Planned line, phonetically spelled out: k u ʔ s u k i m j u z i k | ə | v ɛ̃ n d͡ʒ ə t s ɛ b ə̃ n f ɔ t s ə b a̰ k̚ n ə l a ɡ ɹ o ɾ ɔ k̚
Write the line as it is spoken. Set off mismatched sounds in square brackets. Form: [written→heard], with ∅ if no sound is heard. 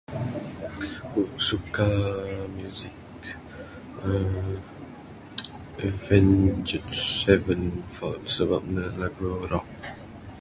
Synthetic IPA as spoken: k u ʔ s u k [i→a] m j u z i k | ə | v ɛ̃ n d͡ʒ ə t s ɛ [b→v] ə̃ n f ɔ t s ə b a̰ [k̚→p̚] n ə l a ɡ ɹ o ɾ ɔ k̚